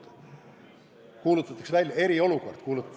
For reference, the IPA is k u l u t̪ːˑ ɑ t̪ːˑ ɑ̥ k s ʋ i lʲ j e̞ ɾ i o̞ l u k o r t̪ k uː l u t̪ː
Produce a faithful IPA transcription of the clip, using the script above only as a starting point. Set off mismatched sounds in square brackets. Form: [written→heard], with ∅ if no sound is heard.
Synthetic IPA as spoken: k [u→uː] l u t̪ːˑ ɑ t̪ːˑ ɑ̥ k s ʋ [i→æ] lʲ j e̞ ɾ i o̞ l u k o r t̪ k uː l u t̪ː